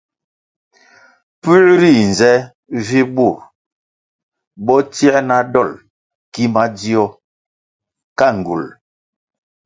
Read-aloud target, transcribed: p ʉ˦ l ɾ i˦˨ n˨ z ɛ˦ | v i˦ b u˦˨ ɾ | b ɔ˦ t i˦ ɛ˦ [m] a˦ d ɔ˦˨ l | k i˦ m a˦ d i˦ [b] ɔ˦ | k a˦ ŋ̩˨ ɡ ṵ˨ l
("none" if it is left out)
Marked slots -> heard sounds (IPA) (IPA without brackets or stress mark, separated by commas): n, none